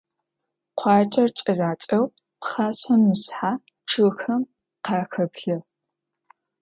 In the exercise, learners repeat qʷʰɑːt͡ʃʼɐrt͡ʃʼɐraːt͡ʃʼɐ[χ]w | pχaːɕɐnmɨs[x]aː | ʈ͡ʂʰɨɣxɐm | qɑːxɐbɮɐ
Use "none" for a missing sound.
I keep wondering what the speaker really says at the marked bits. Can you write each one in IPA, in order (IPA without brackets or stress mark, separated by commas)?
none, ħ